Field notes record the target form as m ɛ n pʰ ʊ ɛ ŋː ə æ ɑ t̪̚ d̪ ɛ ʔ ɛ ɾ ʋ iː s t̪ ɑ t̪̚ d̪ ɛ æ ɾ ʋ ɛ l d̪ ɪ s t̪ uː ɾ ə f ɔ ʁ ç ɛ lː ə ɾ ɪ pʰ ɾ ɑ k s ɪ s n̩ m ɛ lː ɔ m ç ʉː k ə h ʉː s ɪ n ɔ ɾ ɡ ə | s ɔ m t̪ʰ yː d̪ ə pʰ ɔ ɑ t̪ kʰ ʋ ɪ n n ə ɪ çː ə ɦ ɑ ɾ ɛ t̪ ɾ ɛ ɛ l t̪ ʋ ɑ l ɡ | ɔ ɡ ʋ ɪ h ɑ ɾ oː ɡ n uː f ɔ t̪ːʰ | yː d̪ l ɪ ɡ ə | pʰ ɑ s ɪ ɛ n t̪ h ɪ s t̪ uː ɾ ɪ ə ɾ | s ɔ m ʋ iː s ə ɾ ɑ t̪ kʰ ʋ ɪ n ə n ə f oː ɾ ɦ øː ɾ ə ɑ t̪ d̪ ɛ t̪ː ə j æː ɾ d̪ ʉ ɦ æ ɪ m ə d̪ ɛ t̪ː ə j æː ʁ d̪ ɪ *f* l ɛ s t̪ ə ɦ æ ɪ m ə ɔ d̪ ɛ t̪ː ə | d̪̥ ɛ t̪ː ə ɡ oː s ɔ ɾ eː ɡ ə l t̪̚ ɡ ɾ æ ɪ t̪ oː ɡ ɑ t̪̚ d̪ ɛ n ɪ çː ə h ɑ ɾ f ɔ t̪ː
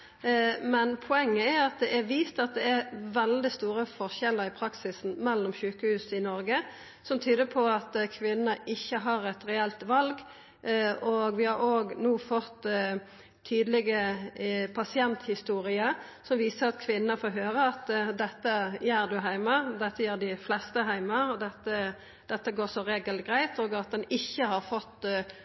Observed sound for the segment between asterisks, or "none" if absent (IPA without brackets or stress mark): f